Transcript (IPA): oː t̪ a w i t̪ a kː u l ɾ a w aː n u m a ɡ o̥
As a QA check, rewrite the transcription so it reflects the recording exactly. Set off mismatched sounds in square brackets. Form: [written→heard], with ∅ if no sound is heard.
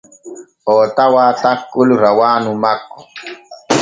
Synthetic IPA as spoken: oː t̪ a w [i→a] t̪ a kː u l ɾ a w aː n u m a [ɡ→k] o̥